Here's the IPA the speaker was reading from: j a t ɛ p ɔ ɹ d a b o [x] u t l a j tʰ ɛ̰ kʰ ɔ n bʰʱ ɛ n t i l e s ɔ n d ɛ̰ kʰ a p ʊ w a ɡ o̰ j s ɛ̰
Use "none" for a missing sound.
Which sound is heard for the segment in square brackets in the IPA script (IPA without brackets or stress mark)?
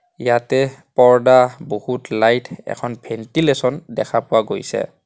h